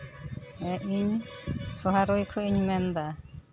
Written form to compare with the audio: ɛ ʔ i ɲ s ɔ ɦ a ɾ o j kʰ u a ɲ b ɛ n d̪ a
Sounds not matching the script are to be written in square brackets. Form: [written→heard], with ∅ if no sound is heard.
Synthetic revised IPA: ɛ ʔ i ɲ s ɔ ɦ a ɾ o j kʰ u [a→i] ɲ [b→m] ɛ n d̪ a